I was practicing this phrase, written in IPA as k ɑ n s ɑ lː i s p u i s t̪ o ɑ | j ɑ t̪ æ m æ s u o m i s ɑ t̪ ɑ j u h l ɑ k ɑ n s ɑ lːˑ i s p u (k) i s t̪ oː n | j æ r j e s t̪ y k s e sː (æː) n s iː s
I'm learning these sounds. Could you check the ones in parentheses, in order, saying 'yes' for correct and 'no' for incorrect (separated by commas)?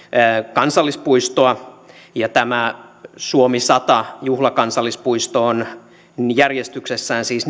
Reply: no, yes